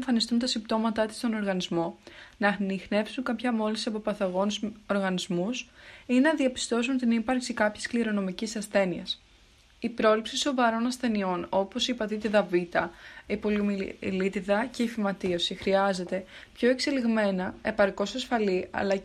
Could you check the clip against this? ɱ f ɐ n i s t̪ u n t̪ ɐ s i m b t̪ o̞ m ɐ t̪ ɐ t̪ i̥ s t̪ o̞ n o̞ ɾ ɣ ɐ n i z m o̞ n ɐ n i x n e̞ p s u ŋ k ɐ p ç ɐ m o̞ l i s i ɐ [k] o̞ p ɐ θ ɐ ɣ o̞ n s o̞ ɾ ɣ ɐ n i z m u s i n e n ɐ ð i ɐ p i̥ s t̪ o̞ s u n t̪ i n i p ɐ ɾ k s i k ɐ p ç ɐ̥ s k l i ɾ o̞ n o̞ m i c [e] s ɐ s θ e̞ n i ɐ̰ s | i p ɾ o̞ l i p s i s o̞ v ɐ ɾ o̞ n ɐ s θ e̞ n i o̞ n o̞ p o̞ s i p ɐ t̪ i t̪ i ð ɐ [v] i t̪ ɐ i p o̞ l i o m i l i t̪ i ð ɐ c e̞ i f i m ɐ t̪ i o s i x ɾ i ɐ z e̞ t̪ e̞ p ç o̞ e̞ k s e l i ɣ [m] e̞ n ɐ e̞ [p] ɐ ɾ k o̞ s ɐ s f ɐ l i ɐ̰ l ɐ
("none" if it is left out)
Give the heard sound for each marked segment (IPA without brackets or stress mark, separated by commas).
p, i, v, m, p